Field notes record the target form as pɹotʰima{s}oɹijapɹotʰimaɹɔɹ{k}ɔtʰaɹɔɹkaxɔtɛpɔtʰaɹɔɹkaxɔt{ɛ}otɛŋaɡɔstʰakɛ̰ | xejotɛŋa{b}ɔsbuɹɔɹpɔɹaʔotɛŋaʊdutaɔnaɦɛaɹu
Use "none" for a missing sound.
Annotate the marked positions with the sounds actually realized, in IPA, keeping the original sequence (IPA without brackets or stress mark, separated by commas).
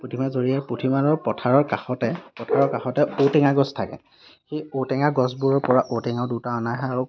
z, p, ɛ, ɡ